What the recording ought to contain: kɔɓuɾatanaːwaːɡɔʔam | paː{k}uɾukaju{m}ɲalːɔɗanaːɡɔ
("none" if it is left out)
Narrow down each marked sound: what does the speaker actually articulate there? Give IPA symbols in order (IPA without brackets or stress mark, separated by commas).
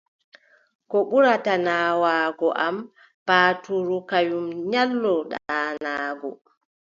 t, m